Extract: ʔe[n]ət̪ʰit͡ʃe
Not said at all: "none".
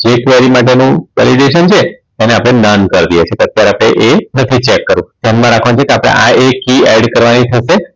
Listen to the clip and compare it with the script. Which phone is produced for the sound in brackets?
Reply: n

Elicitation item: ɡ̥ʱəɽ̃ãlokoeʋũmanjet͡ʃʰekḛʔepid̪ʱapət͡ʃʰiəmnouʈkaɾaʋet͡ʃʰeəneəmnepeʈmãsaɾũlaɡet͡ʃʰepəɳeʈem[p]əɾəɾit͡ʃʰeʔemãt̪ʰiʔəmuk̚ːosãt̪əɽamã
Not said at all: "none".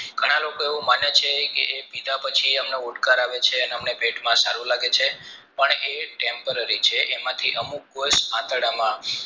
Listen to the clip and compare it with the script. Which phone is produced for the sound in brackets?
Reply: p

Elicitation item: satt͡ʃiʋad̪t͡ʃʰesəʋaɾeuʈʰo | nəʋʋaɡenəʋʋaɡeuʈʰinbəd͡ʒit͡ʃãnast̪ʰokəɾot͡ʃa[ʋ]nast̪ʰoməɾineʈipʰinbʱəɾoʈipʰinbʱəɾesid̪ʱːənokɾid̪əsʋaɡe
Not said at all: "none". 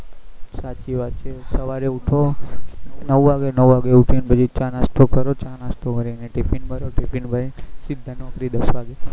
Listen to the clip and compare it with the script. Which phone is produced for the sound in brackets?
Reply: none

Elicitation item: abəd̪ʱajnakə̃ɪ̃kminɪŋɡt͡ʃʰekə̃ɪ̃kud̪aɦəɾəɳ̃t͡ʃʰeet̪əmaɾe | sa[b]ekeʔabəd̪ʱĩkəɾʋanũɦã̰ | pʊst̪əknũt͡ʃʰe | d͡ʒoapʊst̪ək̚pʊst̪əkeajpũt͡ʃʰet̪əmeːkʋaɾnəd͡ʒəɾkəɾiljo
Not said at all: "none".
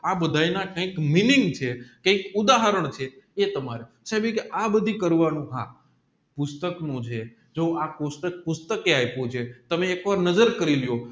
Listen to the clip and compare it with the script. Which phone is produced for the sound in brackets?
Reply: b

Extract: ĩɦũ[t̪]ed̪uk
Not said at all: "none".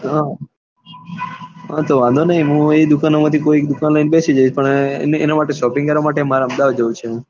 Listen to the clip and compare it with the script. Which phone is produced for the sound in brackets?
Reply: none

